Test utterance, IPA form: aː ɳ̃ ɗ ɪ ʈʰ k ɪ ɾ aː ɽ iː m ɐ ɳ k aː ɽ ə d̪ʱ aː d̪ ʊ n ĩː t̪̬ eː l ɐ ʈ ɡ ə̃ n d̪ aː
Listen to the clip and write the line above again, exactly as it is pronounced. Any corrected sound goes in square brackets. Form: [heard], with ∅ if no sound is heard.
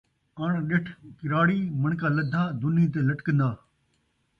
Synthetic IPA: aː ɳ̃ ɗ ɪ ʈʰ k ɪ ɾ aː ɽ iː m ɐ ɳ k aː [l] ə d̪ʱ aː d̪ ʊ n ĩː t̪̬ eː l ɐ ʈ [k] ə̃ n d̪ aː